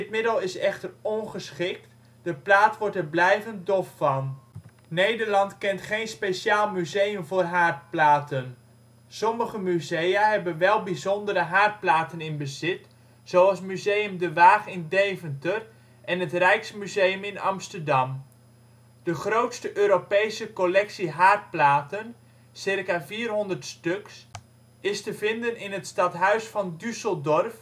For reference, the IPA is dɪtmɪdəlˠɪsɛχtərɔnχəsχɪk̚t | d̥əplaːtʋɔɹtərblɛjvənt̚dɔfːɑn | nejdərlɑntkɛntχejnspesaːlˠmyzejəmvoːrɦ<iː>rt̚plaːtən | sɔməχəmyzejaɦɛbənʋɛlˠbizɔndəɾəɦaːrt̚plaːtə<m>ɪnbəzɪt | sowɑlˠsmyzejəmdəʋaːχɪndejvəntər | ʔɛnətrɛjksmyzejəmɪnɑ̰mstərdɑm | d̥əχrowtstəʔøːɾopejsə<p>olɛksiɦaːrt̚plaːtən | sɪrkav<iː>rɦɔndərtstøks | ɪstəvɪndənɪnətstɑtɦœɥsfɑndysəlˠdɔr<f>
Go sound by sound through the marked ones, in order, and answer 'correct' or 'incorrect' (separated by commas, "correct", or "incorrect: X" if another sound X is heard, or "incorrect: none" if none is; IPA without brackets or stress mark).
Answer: incorrect: aː, incorrect: n, incorrect: k, correct, correct